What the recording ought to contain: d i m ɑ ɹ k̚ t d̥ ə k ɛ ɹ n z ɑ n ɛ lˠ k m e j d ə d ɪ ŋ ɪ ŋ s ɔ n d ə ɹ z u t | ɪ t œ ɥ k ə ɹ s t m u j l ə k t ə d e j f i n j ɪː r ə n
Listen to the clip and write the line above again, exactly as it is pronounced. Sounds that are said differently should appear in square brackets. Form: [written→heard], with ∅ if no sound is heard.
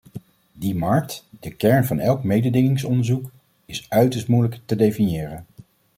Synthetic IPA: d i m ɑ ɹ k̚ t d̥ ə k ɛ ɹ n [z→v] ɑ n ɛ lˠ k m e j d ə d ɪ ŋ ɪ ŋ s ɔ n d ə ɹ z u [t→k] | ɪ [t→s] œ ɥ [k→t] ə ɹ s t m u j l ə k t ə d e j f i n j ɪː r ə n